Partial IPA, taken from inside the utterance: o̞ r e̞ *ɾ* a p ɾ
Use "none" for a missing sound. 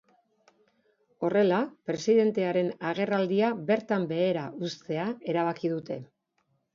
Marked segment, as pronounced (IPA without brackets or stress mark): l